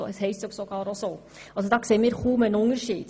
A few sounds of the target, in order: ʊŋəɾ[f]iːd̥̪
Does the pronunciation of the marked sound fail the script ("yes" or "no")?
yes